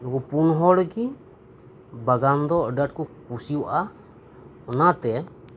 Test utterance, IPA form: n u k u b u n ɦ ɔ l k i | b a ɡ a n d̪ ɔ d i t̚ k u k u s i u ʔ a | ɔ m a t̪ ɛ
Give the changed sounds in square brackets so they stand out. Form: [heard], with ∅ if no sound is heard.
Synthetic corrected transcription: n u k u [p] u n ɦ ɔ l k i | b a ɡ a n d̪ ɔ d [a] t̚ k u k u s i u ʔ a | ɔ [n] a t̪ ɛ